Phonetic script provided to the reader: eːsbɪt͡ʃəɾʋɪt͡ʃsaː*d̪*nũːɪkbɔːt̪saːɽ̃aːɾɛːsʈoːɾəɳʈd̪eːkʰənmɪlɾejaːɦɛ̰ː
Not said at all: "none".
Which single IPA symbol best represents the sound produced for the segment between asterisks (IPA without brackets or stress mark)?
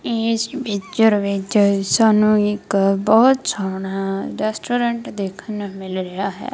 none